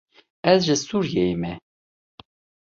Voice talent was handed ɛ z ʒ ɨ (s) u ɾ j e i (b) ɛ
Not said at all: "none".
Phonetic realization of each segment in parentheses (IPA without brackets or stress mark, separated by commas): s, m